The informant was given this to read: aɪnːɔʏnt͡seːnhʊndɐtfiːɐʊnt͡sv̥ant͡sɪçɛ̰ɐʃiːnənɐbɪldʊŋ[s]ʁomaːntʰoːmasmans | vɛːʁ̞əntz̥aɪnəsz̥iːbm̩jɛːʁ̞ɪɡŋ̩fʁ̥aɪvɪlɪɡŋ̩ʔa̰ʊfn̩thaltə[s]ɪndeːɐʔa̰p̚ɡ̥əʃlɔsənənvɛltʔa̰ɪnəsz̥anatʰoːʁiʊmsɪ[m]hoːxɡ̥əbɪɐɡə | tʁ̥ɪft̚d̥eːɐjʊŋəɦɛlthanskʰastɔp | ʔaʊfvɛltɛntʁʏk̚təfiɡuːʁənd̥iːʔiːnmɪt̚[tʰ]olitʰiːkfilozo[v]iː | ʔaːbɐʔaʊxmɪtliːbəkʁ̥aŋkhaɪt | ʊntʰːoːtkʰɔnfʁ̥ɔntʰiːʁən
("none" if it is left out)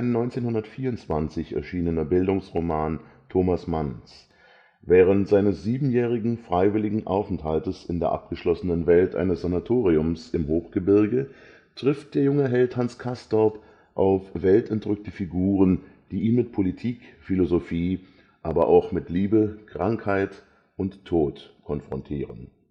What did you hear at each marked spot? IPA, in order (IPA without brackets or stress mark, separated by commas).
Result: s, s, m, pʰ, f